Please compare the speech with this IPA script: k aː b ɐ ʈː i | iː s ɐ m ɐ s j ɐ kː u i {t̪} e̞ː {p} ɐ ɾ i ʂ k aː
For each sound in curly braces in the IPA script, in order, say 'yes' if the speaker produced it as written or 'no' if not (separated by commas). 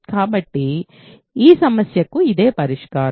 no, yes